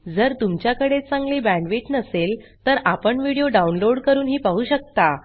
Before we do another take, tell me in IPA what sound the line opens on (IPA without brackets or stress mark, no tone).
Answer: d͡z